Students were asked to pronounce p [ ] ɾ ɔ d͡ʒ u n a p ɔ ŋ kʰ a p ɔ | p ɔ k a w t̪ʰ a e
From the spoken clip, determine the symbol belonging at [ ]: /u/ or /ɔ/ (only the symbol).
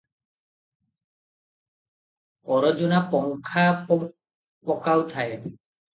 ɔ